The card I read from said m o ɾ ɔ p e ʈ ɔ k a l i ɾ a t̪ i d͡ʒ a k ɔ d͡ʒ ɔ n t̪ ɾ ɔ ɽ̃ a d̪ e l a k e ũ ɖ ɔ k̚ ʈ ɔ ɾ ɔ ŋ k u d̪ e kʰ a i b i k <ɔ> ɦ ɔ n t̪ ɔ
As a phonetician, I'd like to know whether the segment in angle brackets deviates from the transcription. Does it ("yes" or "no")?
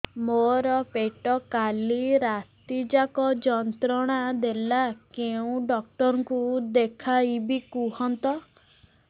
yes